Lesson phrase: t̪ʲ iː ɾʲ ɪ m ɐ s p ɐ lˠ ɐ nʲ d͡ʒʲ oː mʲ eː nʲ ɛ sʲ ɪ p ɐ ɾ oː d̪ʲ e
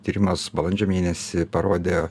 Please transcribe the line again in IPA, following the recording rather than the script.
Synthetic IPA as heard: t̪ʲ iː ɾʲ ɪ m ɐ s b ɐ lˠ ɐ nʲ d͡ʒʲ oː mʲ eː nʲ ɛ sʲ ɪ p ɐ ɾ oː d̪ʲ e